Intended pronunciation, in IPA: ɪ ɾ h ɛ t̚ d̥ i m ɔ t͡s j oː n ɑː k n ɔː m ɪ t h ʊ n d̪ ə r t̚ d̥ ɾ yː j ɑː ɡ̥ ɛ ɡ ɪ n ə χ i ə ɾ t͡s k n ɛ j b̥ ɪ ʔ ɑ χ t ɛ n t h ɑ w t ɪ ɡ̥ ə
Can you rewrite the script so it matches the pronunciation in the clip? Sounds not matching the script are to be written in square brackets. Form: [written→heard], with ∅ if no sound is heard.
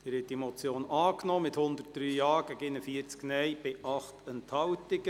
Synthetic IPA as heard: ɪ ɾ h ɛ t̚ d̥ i m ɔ t͡s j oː n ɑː k n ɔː m ɪ t h ʊ n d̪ ə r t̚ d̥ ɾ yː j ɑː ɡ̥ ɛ ɡ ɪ n ə [χ→f] i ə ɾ t͡s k n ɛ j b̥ ɪ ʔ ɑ χ t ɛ n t h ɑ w t ɪ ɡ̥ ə